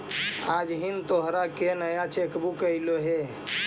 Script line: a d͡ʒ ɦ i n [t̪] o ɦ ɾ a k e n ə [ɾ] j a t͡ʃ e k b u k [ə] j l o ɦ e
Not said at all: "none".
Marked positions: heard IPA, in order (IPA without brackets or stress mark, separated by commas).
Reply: t̪, none, ə